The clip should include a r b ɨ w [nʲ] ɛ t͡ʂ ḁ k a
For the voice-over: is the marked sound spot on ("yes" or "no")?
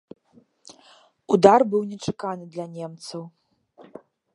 yes